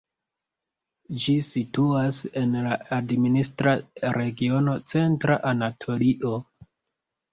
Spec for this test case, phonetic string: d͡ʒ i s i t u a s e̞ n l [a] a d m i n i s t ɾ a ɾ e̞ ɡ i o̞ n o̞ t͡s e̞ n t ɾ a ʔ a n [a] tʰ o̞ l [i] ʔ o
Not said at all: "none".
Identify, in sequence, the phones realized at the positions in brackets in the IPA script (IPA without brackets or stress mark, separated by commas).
a, a, i